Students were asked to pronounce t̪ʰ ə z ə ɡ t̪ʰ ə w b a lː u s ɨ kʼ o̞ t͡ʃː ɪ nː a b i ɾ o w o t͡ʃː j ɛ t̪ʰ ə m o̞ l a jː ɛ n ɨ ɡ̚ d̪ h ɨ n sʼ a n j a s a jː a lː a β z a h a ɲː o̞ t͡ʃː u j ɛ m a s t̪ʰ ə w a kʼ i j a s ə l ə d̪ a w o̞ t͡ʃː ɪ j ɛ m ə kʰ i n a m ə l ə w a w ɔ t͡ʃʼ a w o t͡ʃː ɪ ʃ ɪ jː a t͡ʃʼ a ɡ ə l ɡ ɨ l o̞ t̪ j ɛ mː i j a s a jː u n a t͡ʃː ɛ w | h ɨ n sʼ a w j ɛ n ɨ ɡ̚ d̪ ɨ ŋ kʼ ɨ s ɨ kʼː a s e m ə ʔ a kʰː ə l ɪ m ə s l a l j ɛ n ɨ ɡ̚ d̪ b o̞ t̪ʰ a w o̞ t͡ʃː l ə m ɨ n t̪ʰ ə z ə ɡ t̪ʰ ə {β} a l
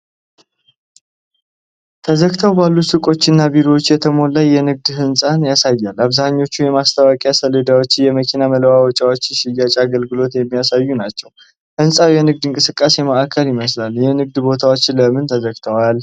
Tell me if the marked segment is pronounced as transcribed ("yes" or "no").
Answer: no